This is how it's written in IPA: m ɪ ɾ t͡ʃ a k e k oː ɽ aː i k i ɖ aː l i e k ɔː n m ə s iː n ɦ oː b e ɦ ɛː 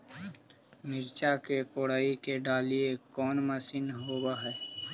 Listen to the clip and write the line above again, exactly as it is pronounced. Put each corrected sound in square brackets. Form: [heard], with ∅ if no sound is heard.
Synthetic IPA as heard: m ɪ ɾ t͡ʃ a k e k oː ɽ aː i k [e] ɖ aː l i e k ɔː n m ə s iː n ɦ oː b [a] ɦ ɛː